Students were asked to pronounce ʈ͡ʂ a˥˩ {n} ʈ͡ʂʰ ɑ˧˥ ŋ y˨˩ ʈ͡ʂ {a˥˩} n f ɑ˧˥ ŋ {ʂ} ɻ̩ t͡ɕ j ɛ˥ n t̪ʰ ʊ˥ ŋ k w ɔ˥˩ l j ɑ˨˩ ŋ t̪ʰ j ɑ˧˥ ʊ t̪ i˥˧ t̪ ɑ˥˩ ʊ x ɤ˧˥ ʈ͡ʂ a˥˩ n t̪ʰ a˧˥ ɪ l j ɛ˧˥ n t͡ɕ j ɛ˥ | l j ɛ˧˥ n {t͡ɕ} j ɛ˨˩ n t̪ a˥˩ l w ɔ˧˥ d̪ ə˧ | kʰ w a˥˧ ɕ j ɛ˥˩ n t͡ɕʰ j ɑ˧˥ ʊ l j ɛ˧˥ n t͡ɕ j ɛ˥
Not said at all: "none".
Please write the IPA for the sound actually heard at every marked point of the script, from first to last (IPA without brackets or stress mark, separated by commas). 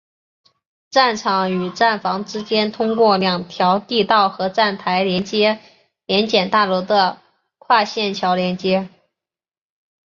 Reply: n, a˥˩, ʈ͡ʂ, t͡ɕ